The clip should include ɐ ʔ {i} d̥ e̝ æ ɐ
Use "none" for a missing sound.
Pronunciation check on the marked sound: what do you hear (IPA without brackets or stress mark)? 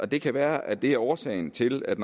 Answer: æ